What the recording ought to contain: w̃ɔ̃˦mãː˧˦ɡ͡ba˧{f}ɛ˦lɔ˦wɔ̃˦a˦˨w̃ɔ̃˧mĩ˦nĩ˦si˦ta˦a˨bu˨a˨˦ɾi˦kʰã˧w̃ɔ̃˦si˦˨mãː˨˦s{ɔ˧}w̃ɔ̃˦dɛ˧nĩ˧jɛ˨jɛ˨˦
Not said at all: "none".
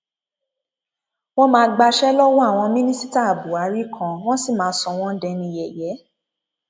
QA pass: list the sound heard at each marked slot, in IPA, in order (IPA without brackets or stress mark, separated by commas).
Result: ʃ, ɔ˧